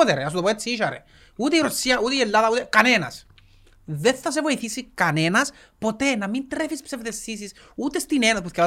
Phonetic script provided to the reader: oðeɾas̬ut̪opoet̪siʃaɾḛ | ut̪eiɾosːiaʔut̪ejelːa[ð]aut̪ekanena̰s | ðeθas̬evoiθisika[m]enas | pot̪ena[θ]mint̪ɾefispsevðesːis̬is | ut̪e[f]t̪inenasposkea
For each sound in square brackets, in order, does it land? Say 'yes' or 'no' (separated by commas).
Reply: yes, no, no, no